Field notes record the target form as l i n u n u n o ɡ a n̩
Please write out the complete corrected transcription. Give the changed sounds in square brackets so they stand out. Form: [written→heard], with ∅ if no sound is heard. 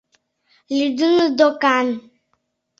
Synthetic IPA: l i [n→d] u n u [n→d] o [ɡ→k] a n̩

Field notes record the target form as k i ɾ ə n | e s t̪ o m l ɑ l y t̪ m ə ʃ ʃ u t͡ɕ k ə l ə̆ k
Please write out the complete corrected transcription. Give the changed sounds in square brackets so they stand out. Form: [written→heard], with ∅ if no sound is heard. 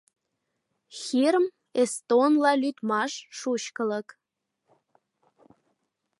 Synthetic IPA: [k→x] i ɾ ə [n→m] | e s t̪ o [m→n] l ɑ l y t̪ m [ə→ɑ] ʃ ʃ u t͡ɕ k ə l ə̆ k

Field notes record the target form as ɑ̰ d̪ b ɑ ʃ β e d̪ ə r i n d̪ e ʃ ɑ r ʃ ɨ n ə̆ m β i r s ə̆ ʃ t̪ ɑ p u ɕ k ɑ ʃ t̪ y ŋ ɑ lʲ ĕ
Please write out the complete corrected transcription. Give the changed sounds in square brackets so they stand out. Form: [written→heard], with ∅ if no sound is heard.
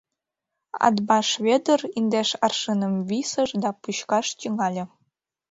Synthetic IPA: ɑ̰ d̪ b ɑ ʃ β e d̪ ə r i n d̪ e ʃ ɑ r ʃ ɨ n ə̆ m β i [r→∅] s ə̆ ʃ [t̪→d̪] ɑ p u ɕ k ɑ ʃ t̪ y ŋ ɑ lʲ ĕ

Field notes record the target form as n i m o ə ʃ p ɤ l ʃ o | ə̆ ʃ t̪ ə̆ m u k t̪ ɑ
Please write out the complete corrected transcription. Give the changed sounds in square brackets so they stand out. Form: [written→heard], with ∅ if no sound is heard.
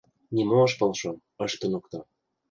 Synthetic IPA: n i m o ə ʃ p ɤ l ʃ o | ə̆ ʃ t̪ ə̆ [m→n] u k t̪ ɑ

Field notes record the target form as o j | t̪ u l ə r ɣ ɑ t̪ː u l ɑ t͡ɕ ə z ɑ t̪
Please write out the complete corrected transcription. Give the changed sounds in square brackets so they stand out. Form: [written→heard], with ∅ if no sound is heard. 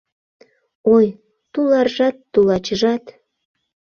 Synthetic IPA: o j | t̪ u l [ə→ɑ] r [ɣ→ʒ] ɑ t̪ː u l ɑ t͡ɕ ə [z→ʒ] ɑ t̪

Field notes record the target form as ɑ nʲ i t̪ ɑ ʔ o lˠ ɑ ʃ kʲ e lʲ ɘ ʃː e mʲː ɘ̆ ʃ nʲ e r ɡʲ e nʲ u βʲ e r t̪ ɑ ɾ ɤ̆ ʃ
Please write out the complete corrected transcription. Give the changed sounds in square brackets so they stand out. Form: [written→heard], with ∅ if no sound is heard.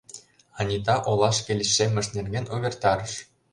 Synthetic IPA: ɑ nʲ i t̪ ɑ ʔ o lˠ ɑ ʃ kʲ e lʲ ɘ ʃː e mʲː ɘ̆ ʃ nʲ e r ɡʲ e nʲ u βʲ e r t̪ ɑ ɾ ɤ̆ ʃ

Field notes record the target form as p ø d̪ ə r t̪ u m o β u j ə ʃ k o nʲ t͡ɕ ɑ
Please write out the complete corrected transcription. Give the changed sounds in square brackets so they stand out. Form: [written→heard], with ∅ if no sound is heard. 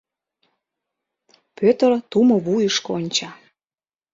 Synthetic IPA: p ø [d̪→t̪] ə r t̪ u m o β u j ə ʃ k o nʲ t͡ɕ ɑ

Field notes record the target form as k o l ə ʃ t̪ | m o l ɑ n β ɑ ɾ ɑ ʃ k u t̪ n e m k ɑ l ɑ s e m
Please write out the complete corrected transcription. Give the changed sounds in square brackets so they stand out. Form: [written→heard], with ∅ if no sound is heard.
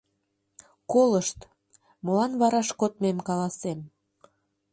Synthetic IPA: k o l ə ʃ t̪ | m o l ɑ n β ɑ ɾ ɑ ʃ k [u→o] t̪ [n→m] e m k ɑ l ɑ s e m

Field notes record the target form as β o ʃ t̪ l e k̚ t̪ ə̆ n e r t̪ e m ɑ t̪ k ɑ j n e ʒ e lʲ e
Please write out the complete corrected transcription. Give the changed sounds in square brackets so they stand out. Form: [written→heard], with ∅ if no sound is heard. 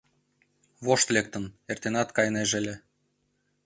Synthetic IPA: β o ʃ t̪ l e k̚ t̪ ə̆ n e r t̪ e [m→n] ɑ t̪ k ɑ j n e ʒ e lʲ e

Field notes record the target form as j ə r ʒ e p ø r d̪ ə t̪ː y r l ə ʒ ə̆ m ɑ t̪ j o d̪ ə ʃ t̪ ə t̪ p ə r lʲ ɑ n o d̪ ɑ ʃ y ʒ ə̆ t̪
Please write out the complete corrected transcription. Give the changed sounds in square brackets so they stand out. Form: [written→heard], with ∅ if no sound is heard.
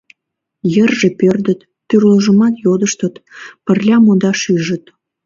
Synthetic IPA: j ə r ʒ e p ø r d̪ ə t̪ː y r l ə ʒ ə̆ m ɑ t̪ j o d̪ ə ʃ t̪ ə t̪ p ə r lʲ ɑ [n→m] o d̪ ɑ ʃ y ʒ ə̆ t̪

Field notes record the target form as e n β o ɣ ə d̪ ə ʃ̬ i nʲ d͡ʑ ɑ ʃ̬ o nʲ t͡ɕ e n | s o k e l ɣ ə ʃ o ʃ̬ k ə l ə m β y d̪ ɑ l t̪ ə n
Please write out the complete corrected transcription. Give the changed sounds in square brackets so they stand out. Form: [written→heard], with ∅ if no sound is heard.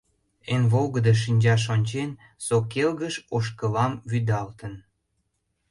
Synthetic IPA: e n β o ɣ ə d̪ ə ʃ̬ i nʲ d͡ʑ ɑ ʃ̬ o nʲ t͡ɕ e n | s o k e l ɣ ə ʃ o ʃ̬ k ə l [ə→ɑ] m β y d̪ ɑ l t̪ ə n

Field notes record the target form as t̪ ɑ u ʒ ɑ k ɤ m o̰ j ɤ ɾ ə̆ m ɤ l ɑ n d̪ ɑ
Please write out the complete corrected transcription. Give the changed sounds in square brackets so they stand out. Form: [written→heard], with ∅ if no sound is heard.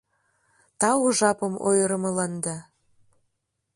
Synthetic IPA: t̪ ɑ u ʒ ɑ [k→p] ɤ m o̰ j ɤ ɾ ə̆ m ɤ l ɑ n d̪ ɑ

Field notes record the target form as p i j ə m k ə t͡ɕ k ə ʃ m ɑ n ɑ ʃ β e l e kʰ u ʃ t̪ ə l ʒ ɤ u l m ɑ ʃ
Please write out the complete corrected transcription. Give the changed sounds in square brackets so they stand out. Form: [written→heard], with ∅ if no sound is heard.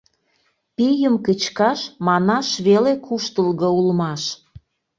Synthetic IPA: p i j ə m k ə t͡ɕ k [ə→ɑ] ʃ m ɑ n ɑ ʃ β e l e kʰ u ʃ t̪ ə l [ʒ→ɣ] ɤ u l m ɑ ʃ

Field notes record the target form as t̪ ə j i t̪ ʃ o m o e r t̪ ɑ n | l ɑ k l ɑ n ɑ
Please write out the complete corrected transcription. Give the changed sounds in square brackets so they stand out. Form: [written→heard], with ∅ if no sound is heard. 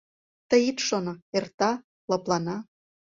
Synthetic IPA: t̪ ə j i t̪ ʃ o [m→n] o e r t̪ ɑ [n→∅] | l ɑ [k→p] l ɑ n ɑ

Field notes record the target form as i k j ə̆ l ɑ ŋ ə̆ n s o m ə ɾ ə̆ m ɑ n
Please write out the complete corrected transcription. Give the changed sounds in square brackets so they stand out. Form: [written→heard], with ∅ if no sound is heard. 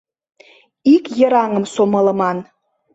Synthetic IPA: i k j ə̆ [l→ɾ] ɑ ŋ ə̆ [n→m] s o m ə [ɾ→l] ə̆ m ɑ n

